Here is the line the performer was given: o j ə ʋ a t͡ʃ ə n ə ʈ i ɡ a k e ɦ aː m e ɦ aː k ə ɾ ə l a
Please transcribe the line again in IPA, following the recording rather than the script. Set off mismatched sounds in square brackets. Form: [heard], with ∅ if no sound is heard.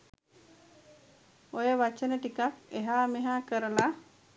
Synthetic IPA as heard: o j ə ʋ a t͡ʃ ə n ə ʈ i [k] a k e ɦ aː m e ɦ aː k ə ɾ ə l a